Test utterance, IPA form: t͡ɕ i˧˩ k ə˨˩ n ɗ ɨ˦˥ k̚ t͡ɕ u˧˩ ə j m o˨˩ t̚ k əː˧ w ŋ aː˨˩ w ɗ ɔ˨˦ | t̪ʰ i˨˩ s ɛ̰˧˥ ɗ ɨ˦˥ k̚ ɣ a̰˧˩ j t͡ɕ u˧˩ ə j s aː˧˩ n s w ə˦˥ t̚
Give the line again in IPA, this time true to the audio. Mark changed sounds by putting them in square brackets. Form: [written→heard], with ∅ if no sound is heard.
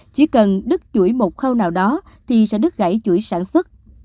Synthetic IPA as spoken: t͡ɕ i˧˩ k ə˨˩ n ɗ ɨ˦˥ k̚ t͡ɕ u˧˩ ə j m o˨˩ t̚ [k→x] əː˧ w [ŋ→n] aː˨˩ w ɗ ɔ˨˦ | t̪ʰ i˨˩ s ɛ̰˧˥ ɗ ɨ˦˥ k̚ ɣ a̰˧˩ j t͡ɕ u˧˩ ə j s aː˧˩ n s w ə˦˥ t̚